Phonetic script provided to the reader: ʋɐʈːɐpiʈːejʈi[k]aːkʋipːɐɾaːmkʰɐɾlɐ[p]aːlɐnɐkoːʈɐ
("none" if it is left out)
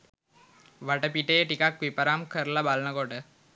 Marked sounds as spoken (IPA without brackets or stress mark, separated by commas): k, b